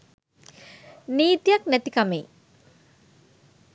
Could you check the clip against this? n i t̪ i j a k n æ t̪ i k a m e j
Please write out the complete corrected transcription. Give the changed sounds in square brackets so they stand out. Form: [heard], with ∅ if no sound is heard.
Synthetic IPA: n [iː] t̪ i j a k n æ t̪ i k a m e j